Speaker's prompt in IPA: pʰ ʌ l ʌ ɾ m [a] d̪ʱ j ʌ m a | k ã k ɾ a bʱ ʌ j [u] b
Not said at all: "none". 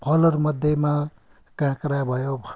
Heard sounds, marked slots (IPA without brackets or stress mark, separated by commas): ʌ, o